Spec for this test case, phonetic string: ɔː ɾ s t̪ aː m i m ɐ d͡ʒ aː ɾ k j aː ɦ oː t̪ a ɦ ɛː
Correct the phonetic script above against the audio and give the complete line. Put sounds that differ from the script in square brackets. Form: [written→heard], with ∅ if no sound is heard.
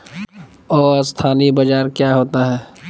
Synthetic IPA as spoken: ɔː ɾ s [t̪→t̪ʰ] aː [m→n] i [m→b] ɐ d͡ʒ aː ɾ k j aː ɦ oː t̪ a ɦ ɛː